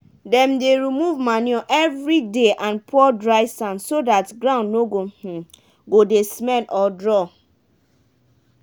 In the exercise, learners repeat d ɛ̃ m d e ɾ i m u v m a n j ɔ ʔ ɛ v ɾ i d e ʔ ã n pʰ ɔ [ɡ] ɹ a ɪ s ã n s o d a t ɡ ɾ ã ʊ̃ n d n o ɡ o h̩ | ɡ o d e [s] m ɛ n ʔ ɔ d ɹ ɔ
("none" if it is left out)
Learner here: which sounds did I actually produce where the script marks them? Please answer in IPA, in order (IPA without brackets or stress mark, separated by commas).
d, s